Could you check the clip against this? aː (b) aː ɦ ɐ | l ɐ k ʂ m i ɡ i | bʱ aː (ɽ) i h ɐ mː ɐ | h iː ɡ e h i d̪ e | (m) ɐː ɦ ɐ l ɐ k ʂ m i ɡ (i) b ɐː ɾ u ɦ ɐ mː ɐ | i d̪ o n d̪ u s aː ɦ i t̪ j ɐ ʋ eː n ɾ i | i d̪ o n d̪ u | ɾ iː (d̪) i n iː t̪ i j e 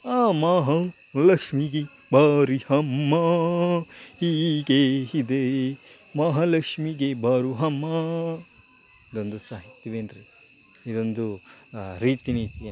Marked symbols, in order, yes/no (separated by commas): no, no, yes, no, no